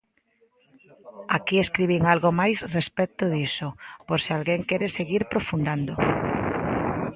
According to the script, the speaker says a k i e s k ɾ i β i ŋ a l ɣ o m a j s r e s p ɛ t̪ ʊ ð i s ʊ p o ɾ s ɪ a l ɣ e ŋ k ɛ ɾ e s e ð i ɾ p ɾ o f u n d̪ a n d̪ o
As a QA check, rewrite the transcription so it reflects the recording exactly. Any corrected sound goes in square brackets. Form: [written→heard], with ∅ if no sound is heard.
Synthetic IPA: a k i e s k ɾ i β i ŋ a l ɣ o m a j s r e s p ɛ t̪ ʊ ð i s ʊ p o ɾ s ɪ a l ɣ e ŋ k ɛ ɾ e s e [ð→ɣ] i ɾ p ɾ o f u n d̪ a n d̪ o